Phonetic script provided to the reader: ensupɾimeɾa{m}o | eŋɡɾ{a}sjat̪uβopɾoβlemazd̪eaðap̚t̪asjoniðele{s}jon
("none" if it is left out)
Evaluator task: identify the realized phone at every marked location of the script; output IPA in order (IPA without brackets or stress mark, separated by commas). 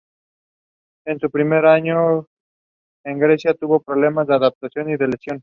ɲ, e, s